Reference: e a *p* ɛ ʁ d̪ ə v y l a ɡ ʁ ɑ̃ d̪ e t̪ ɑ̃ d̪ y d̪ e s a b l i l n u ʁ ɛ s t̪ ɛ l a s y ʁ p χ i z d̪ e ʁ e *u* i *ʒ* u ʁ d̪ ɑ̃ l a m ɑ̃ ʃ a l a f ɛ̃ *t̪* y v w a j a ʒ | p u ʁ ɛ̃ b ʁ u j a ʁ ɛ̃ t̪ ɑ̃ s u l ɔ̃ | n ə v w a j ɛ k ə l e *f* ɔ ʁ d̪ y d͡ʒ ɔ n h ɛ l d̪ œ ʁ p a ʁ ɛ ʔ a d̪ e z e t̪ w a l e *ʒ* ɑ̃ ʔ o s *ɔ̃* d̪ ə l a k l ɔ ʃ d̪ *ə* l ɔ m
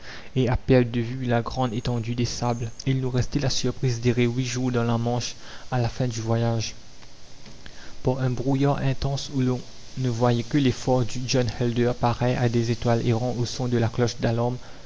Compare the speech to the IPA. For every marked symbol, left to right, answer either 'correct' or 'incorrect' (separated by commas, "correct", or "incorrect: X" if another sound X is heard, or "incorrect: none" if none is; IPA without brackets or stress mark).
correct, incorrect: w, correct, incorrect: d̪, correct, incorrect: ʁ, correct, incorrect: a